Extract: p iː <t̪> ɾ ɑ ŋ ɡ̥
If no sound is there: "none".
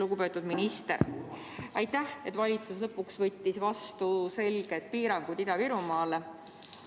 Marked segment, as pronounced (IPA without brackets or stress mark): none